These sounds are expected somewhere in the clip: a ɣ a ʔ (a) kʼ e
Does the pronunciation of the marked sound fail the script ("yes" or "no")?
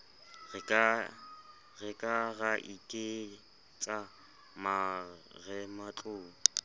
yes